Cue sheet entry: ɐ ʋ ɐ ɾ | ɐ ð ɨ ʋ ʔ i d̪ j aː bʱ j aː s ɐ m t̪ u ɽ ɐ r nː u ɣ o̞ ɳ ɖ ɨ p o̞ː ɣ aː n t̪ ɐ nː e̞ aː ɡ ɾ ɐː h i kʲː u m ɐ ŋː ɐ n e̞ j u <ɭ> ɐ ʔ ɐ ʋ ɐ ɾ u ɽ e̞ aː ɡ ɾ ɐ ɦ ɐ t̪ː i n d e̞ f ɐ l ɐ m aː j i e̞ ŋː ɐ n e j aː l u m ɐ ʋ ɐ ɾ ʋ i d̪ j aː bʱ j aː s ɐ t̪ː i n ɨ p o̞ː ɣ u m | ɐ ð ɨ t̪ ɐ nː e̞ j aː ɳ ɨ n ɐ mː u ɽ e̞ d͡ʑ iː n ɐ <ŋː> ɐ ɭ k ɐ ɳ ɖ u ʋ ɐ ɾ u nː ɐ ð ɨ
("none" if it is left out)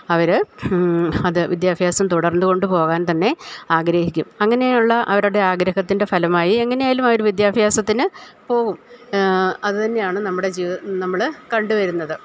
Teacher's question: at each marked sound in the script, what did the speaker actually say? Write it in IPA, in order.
ɭː, mː

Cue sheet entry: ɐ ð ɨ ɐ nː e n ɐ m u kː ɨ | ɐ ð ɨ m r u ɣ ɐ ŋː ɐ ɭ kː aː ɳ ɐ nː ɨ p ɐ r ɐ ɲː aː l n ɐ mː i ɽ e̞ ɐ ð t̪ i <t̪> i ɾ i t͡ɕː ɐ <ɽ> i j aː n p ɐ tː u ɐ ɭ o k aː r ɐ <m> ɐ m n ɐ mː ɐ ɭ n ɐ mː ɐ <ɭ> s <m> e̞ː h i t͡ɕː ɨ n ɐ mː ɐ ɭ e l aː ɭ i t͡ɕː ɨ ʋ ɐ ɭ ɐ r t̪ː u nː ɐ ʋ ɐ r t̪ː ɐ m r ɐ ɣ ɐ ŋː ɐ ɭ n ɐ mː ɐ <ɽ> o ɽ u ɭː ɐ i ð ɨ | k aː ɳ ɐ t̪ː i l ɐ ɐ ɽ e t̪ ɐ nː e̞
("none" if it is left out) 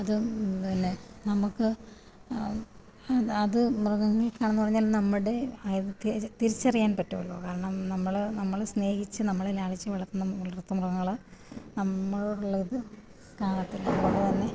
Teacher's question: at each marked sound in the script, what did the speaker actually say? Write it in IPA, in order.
t̪, r, ɳ, ɭ, n, ɭ

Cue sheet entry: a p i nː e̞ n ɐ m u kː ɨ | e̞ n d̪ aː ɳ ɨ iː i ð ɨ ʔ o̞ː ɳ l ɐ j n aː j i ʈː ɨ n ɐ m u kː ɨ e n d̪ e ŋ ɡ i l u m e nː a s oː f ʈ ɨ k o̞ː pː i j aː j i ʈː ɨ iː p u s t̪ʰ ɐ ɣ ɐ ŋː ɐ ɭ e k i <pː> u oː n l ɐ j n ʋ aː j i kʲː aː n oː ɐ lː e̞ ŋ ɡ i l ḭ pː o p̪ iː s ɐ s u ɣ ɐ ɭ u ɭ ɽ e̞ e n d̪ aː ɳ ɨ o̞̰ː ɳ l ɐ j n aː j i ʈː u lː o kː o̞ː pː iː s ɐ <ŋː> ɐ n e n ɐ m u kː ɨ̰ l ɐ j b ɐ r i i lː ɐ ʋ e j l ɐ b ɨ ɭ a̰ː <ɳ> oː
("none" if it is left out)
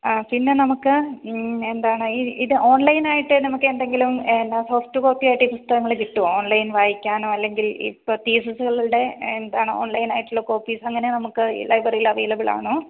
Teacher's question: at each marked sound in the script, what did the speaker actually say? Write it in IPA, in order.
ʈː, ŋː, ɳ

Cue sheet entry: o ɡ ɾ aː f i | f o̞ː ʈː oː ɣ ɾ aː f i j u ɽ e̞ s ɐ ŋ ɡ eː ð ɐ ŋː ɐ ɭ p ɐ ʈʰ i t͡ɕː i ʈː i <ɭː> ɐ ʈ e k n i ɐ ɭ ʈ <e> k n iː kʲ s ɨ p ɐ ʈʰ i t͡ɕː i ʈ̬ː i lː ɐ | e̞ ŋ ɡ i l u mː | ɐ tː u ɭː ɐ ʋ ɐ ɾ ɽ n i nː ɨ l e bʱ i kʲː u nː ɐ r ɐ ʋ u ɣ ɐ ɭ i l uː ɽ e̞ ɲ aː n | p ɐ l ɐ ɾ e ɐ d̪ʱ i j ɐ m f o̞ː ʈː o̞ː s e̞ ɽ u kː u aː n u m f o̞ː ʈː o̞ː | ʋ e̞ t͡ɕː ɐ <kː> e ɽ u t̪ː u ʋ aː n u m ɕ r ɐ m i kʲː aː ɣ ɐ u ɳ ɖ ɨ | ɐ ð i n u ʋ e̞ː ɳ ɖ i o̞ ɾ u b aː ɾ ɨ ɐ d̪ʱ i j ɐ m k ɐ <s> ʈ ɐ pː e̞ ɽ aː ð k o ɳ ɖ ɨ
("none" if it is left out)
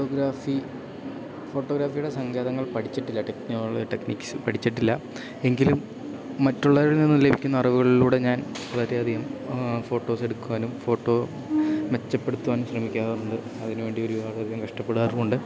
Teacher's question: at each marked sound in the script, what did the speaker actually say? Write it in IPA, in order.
lː, e, pː, ʂ

